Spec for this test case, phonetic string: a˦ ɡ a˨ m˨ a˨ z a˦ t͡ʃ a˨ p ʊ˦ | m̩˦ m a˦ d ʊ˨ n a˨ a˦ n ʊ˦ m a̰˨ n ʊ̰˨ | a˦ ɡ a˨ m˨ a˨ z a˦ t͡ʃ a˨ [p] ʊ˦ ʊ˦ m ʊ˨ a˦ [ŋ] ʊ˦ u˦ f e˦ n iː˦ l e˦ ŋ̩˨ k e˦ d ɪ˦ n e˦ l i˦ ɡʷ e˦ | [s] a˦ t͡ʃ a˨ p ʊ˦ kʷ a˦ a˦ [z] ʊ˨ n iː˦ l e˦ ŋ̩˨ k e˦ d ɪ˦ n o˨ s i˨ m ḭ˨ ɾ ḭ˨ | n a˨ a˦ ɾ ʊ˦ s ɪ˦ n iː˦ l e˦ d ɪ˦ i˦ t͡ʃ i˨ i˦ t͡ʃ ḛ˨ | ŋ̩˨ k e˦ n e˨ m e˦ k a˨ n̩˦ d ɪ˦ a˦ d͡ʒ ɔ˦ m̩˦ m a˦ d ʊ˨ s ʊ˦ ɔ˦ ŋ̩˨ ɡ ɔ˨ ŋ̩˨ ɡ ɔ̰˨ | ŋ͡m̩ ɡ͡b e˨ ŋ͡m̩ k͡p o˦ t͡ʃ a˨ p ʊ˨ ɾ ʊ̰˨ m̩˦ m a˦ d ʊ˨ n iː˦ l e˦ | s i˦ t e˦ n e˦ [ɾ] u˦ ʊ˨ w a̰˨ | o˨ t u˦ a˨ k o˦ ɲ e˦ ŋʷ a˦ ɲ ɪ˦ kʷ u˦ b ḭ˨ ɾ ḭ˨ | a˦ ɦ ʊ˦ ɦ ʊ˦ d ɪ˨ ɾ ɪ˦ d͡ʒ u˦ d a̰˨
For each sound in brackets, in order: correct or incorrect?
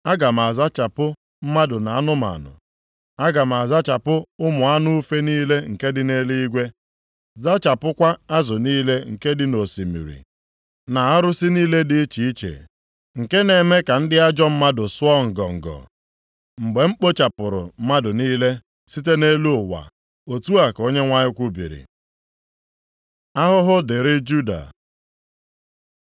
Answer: correct, incorrect: n, incorrect: z, correct, incorrect: l

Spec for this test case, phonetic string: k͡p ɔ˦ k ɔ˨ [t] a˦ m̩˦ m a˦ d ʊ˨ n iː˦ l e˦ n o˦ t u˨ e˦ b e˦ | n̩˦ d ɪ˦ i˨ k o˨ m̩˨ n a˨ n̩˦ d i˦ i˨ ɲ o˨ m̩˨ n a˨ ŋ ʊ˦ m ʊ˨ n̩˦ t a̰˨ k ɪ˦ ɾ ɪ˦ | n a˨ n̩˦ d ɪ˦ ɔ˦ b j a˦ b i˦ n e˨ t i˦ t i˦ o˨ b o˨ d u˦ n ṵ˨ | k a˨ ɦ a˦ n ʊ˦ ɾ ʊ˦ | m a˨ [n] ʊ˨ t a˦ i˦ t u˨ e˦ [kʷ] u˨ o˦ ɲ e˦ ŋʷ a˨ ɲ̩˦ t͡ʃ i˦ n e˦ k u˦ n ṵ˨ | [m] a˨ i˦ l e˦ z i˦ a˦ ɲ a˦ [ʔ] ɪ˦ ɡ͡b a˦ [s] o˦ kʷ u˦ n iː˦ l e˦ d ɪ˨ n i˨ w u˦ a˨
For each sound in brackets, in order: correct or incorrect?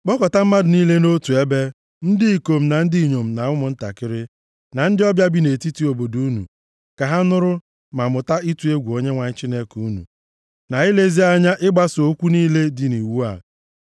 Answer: correct, incorrect: m, incorrect: ɡʷ, incorrect: n, correct, correct

